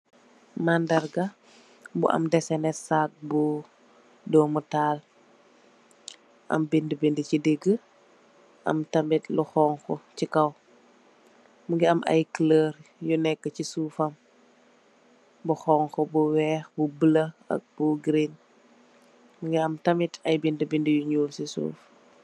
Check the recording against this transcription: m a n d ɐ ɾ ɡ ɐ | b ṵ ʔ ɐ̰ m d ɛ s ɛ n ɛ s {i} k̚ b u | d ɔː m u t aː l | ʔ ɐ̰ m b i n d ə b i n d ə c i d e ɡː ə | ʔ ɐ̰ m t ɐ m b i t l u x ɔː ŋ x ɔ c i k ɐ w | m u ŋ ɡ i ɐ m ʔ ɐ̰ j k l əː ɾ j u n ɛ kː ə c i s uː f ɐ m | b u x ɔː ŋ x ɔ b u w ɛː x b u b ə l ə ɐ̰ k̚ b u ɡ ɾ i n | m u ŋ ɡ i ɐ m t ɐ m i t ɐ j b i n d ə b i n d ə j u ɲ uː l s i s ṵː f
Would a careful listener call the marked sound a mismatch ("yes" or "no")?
yes